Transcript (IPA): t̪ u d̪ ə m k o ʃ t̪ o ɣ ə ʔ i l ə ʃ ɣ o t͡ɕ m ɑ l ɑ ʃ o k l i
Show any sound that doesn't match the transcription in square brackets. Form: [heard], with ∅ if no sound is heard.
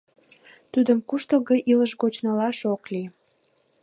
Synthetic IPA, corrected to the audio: t̪ u d̪ ə m k [u] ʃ t̪ o ɣ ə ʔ i l ə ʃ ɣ o t͡ɕ [n] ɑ l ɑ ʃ o k l i